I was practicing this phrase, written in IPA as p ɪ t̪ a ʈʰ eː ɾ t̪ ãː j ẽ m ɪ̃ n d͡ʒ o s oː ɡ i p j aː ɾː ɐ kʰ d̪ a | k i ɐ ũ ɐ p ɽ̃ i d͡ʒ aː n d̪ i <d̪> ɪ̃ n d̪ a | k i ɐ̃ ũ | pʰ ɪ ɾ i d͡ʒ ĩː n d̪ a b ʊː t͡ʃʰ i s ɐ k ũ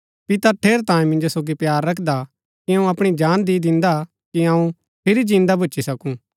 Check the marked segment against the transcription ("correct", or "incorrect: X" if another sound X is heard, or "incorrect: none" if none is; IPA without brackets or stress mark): correct